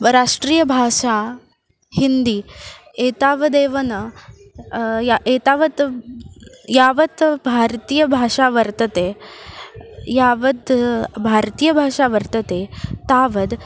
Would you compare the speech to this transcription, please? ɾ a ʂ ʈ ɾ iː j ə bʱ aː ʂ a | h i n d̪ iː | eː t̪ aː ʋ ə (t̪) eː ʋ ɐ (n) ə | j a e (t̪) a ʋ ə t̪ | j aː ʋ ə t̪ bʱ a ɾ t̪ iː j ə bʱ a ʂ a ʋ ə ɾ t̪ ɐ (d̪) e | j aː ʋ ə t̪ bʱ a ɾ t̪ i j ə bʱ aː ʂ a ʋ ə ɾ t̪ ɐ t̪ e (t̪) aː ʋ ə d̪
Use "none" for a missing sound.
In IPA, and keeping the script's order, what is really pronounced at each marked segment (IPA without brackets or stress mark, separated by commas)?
d̪, n, t̪, t̪, t̪